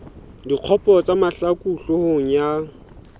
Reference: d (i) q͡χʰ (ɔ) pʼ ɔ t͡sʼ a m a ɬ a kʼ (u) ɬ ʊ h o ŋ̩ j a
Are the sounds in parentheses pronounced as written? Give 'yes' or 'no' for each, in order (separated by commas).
yes, yes, yes